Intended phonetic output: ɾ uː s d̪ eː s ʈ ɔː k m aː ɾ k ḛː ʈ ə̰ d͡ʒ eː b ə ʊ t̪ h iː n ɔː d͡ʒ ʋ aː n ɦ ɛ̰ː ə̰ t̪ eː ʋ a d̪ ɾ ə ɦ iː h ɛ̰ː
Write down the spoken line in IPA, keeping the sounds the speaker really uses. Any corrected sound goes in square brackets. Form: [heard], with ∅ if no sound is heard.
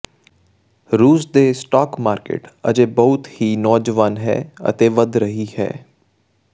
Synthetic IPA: ɾ uː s d̪ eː s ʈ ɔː k m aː ɾ k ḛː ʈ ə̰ d͡ʒ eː b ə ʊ t̪ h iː n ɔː d͡ʒ ʋ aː n ɦ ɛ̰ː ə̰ t̪ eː ʋ [ə] d̪ ɾ ə ɦ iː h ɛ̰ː